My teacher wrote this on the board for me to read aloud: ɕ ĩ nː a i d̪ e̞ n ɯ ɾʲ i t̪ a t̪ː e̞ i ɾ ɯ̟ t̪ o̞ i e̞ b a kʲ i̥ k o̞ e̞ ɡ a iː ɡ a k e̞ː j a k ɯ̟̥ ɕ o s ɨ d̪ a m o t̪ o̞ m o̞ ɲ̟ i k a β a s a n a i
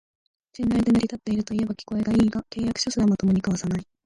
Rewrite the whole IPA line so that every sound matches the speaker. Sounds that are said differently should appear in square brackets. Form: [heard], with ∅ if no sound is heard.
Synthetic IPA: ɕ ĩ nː a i d̪ e̞ n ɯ ɾʲ i t̪ a t̪ː e̞ i ɾ ɯ̟ t̪ o̞ i e̞ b a kʲ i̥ k o̞ e̞ ɡ a iː ɡ a k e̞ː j a k ɯ̟̥ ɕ o s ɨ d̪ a m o t̪ o̞ m o̞ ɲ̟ i k a β a s a n a i